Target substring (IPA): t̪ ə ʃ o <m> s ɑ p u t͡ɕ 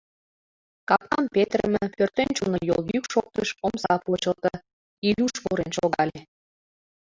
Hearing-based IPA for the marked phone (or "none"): m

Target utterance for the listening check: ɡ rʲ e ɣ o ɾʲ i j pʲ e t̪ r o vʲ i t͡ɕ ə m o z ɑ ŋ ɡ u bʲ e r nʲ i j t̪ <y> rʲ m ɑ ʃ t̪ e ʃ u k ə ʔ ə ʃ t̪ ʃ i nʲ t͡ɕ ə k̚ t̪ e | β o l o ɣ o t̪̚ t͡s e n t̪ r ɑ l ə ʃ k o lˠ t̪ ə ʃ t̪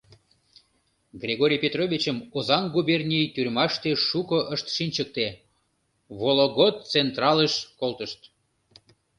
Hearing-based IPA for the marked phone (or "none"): y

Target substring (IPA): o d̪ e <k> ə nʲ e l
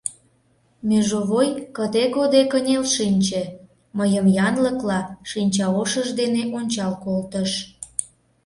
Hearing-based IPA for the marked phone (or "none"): k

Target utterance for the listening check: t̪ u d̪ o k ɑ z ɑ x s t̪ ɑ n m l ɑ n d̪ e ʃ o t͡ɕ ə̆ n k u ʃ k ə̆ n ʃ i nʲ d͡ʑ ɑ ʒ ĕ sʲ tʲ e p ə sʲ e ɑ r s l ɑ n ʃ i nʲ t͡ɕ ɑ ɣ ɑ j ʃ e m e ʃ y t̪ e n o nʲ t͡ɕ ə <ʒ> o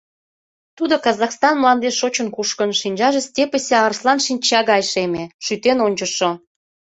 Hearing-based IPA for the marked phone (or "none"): ʃ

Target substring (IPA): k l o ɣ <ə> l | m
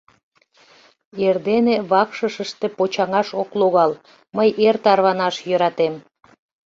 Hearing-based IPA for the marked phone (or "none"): ɑ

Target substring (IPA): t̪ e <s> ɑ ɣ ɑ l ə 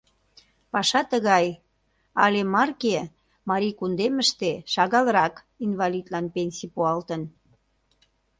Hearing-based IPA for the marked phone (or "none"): ʃ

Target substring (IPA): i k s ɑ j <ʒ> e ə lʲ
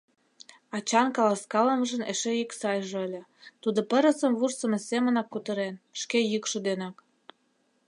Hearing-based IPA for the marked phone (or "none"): ʒ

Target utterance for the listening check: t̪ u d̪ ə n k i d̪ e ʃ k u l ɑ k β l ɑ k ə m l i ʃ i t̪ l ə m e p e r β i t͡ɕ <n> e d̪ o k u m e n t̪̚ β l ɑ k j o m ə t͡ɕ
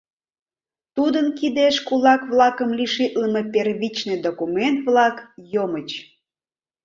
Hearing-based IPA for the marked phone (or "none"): n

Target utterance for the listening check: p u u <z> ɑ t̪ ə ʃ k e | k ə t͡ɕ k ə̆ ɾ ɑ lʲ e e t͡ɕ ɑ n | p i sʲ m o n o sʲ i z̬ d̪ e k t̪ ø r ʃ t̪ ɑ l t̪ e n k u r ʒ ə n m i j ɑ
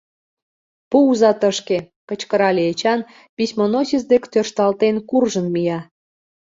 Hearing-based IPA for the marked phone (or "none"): z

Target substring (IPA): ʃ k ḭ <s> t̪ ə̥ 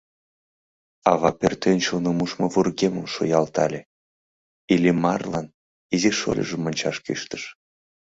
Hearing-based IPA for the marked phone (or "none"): ʃ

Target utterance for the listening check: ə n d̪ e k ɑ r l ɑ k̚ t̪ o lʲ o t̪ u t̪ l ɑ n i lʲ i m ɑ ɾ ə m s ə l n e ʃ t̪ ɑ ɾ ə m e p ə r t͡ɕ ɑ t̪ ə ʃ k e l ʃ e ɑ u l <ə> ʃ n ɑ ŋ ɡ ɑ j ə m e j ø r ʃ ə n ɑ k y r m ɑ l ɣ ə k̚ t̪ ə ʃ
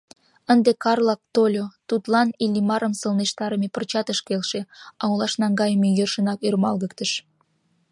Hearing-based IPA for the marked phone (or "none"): ɑ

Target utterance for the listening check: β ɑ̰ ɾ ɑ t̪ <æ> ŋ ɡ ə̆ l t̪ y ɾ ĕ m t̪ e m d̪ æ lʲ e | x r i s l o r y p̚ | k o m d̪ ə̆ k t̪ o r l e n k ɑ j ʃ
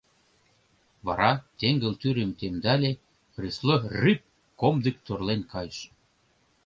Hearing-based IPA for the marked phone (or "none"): e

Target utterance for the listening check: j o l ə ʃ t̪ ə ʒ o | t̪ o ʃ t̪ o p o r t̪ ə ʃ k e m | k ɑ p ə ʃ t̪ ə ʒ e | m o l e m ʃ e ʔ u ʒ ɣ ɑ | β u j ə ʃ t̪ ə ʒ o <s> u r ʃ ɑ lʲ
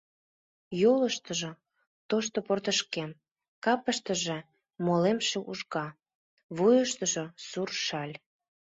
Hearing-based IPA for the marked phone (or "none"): s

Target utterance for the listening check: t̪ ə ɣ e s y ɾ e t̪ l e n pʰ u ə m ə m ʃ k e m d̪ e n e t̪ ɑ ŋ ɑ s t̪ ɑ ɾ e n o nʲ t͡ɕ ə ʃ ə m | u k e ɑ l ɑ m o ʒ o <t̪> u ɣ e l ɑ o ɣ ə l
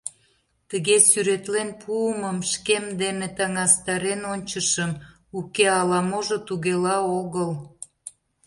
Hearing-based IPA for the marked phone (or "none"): t̪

